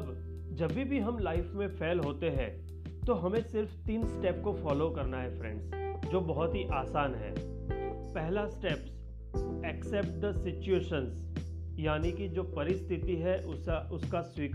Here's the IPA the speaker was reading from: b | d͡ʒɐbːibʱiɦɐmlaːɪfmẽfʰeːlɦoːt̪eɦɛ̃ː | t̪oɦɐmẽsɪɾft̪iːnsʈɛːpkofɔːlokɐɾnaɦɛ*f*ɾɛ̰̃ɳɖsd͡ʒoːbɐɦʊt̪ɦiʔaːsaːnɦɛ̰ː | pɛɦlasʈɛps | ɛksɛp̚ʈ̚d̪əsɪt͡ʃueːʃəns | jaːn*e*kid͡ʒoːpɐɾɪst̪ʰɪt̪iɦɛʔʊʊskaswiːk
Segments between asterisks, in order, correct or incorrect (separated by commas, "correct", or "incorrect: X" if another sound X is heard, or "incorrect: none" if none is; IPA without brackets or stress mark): correct, incorrect: i